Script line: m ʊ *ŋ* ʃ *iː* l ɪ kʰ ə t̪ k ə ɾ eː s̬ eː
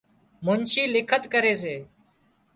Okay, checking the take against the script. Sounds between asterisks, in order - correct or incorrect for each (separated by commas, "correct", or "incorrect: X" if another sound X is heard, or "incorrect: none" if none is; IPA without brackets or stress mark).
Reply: incorrect: n, correct